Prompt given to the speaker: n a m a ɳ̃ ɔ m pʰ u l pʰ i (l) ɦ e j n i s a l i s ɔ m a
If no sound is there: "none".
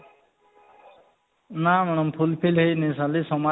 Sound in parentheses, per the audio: l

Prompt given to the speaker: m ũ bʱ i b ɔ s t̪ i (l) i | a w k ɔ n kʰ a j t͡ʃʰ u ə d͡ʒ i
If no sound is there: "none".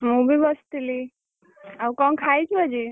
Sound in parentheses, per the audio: l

